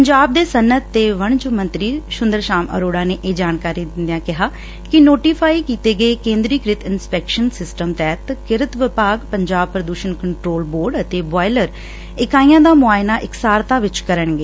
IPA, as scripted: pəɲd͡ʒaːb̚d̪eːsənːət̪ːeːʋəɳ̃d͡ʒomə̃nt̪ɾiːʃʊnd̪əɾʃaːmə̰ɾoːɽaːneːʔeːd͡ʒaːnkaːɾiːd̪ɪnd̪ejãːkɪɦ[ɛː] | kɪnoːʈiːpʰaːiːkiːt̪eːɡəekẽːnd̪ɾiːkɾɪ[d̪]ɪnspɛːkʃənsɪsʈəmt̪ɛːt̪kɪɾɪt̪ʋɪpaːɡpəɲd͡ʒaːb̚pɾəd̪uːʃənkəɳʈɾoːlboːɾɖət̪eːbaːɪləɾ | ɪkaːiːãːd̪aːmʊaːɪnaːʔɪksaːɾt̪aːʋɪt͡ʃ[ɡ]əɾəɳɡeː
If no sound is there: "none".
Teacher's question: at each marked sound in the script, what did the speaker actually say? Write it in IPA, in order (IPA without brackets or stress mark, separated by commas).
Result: aː, t̪, k